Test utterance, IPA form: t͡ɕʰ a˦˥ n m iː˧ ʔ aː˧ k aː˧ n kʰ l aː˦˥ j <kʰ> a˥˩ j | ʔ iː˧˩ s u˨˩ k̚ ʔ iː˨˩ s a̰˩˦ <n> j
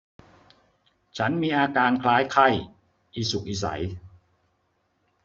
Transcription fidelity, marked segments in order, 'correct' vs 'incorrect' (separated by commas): correct, incorrect